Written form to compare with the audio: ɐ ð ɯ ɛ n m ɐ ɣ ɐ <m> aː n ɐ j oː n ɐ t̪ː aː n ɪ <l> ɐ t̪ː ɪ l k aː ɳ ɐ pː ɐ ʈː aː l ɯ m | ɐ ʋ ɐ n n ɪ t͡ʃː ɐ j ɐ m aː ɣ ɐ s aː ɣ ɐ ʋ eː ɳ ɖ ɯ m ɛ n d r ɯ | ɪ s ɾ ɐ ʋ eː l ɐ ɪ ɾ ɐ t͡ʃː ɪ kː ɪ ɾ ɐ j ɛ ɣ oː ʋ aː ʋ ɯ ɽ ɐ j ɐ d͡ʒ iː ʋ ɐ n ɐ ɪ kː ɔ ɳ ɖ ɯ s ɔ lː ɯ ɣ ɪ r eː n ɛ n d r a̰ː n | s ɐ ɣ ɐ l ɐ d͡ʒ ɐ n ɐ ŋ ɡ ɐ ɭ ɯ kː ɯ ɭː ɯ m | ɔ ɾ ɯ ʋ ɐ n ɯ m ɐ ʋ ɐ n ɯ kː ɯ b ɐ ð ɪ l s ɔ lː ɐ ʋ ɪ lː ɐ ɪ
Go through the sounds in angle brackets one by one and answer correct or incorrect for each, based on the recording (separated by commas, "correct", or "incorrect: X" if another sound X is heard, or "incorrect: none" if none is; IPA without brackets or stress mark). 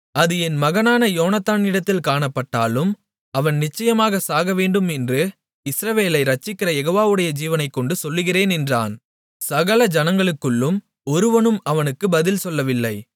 incorrect: n, incorrect: ɽ